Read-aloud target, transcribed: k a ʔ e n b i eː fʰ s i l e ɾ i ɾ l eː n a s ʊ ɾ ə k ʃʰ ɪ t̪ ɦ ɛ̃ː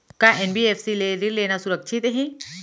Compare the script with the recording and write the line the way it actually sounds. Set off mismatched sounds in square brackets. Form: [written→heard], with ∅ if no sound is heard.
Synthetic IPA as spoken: k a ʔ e n b i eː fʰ s i l e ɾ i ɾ l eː n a s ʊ ɾ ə k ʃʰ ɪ t̪ ɦ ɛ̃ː